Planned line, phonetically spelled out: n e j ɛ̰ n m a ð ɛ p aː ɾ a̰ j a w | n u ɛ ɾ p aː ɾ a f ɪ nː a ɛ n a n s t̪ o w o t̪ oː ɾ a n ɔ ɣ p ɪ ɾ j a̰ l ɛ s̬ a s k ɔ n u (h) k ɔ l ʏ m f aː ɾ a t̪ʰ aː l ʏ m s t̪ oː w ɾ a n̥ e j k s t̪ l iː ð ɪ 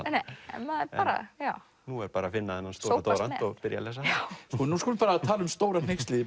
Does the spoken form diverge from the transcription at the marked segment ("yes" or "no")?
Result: yes